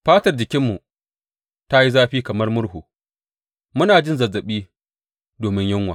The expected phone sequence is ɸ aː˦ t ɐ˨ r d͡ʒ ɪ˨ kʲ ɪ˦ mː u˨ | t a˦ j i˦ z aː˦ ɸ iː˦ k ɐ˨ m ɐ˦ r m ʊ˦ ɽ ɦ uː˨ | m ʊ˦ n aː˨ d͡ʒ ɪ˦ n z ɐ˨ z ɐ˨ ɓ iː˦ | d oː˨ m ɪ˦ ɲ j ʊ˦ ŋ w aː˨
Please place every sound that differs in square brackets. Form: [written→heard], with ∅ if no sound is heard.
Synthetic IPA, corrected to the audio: ɸ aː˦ t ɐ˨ r d͡ʒ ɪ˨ kʲ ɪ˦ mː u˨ | t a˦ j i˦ z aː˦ ɸ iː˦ k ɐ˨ m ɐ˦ r m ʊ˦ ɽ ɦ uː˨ | m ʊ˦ n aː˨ d͡ʒ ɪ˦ n z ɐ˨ z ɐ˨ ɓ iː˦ | d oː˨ m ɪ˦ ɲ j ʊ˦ ŋ w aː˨